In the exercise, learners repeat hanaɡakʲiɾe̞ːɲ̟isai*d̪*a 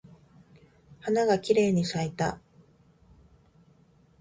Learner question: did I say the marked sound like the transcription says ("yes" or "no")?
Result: no